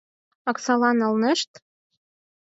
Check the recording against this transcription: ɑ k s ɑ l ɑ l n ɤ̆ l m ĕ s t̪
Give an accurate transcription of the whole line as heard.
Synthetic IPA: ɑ k s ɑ l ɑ n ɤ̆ l n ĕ ʃ t̪